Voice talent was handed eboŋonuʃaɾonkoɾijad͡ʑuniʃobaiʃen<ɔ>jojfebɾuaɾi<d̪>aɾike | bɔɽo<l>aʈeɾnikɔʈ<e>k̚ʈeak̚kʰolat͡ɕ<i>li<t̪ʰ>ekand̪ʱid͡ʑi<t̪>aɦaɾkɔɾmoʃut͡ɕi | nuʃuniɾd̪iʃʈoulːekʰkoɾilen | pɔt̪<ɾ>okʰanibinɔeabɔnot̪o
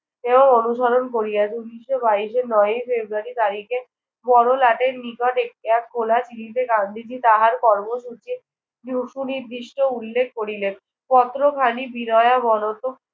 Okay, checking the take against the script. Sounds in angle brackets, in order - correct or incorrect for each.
correct, incorrect, correct, correct, correct, incorrect, correct, correct

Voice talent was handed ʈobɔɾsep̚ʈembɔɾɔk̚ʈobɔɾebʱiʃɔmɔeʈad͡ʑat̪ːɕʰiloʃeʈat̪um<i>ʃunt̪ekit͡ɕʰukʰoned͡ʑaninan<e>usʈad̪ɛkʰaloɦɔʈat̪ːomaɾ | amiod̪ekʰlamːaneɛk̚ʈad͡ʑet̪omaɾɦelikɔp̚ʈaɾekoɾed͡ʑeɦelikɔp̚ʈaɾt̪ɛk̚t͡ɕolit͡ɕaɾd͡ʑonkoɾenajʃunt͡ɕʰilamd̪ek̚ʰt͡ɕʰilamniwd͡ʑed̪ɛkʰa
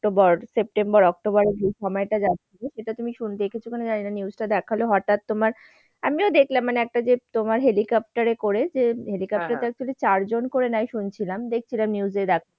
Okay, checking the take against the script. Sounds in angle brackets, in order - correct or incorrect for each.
correct, incorrect

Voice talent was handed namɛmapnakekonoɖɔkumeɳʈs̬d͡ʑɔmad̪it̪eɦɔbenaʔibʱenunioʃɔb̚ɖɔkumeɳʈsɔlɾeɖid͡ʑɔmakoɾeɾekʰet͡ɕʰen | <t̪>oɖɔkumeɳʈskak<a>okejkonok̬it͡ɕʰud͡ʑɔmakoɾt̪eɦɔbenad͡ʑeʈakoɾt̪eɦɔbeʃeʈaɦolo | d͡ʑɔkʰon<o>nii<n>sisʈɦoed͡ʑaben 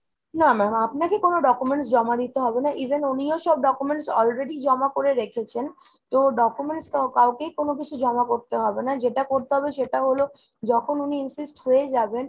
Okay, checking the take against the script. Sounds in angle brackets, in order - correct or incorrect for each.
correct, correct, incorrect, correct

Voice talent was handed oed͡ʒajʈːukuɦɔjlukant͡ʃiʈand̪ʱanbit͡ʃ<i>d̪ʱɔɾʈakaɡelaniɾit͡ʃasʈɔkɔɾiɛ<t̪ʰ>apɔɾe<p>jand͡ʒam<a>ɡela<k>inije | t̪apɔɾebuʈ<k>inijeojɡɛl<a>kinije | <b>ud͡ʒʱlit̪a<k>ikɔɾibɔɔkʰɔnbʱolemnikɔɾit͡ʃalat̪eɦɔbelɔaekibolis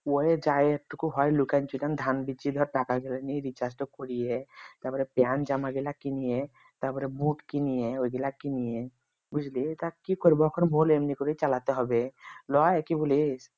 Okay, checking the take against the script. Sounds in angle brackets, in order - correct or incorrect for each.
correct, incorrect, correct, correct, correct, correct, correct, correct, correct

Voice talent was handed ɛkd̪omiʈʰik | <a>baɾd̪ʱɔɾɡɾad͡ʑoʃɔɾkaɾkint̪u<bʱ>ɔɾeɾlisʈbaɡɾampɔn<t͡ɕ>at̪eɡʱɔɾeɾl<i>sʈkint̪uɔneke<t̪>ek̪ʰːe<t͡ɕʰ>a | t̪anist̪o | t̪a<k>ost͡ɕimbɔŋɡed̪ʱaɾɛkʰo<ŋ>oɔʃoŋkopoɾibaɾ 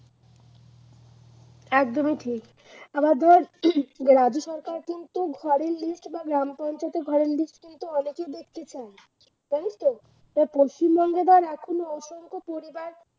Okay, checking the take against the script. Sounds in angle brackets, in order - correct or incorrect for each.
correct, incorrect, correct, correct, incorrect, correct, incorrect, incorrect

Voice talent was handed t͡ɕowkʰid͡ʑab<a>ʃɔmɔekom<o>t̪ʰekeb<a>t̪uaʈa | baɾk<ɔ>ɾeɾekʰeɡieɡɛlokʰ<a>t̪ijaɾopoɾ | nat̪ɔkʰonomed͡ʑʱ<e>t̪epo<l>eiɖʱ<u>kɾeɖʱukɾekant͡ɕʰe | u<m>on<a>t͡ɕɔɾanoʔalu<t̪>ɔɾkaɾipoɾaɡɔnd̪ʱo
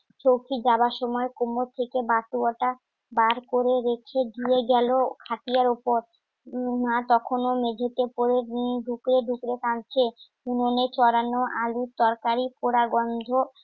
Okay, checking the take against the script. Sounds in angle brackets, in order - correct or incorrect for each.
correct, correct, correct, incorrect, correct, correct, incorrect, correct, incorrect, incorrect, correct

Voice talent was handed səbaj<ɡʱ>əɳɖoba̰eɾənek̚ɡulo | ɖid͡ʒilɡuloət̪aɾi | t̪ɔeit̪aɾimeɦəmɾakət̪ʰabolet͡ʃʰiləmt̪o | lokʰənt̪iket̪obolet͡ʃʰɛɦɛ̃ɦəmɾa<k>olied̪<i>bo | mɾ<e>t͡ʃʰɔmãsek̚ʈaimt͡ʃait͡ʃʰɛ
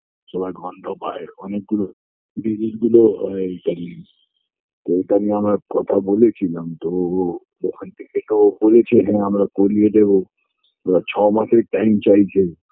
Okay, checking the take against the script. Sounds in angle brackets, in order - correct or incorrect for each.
correct, correct, incorrect, incorrect

